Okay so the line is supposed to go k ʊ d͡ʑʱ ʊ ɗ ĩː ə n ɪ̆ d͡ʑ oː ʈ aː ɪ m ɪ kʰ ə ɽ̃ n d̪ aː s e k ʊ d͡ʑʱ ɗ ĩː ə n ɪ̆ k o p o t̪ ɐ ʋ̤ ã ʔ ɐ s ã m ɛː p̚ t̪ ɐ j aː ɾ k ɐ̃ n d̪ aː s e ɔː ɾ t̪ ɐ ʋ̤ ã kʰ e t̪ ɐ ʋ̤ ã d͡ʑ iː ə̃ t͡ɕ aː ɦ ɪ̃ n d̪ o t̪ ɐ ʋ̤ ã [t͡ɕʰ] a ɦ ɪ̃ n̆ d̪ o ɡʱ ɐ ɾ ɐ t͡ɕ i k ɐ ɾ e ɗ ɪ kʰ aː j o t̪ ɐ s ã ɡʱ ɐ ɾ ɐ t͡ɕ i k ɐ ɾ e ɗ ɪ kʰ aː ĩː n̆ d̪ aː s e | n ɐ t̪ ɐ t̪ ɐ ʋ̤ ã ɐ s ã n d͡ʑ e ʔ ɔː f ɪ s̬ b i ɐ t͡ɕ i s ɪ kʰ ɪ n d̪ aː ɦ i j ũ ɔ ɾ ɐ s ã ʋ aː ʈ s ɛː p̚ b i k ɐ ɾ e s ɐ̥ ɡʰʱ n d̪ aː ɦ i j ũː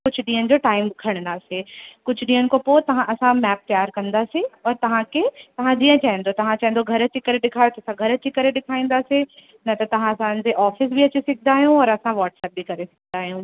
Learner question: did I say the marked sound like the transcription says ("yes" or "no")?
no